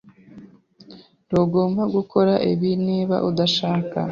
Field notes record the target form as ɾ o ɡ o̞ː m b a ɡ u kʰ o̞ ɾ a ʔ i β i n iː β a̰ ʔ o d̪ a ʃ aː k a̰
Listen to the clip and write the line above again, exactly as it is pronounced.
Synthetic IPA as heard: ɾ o ɡ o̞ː m b a ɡ u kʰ o̞ ɾ a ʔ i β i n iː β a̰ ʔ u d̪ a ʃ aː k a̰